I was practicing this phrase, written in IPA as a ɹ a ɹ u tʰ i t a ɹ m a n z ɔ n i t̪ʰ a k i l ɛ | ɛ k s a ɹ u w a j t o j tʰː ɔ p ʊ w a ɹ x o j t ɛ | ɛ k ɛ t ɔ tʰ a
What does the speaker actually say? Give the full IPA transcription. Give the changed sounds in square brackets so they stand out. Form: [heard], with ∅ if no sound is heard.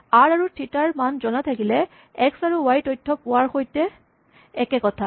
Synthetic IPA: a ɹ a ɹ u tʰ i t a ɹ m a n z ɔ n [a] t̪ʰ a k i l ɛ | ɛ k s a ɹ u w a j t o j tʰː ɔ p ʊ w a ɹ x o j t ɛ | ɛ k ɛ [k] ɔ tʰ a